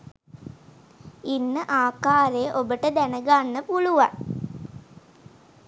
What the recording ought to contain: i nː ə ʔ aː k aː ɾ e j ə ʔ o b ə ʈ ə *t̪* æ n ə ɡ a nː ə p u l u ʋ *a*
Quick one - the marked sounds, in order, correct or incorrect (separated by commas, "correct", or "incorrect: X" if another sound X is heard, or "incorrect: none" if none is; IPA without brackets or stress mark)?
incorrect: d̪, correct